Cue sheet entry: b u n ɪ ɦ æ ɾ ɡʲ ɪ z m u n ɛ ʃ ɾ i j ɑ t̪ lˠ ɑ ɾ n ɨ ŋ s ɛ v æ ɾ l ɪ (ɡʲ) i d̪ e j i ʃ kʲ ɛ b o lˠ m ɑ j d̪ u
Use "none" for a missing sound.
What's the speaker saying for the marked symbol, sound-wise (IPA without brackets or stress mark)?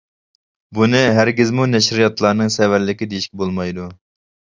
kʲ